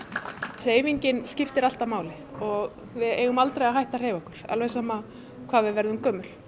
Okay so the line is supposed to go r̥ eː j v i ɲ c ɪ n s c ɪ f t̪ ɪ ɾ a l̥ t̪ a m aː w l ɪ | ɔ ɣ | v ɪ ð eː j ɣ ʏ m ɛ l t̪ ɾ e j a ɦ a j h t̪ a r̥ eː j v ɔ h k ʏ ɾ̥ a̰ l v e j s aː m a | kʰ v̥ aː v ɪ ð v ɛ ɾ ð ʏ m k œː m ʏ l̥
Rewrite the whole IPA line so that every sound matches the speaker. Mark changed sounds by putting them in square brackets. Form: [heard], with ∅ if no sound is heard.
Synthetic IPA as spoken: r̥ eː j v i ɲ c ɪ n s c ɪ f t̪ ɪ ɾ a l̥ t̪ a m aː w l ɪ | ɔ ɣ | v ɪ ð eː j ɣ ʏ m [a] l t̪ ɾ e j a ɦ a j h t̪ a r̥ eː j v ɔ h k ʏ ɾ̥ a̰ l v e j s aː m a | kʰ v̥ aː v ɪ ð v ɛ ɾ ð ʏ m k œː m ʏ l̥